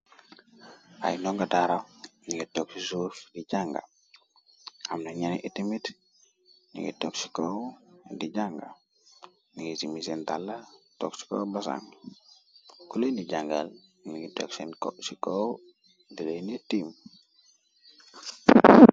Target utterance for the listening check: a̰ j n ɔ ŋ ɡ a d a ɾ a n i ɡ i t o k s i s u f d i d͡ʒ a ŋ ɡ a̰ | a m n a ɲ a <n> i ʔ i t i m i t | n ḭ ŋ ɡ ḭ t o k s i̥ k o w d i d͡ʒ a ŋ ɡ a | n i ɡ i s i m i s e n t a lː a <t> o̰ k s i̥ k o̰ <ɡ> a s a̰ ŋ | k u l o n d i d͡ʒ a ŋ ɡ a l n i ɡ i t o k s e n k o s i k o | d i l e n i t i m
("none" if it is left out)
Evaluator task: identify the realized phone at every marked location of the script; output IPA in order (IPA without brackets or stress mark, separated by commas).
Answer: n, t, b